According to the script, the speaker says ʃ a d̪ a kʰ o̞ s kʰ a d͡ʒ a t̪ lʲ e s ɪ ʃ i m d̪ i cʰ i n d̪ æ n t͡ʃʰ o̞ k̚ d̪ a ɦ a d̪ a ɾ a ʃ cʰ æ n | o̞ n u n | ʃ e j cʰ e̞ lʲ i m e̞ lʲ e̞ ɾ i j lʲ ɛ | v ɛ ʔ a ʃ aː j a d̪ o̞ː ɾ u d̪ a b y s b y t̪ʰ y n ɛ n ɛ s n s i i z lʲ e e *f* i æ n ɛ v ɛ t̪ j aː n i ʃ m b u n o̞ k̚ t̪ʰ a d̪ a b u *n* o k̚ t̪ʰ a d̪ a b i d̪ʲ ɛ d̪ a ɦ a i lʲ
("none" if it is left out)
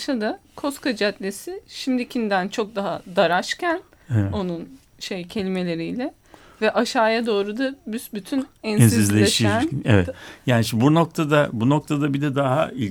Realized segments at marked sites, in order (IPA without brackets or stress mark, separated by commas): ʃ, n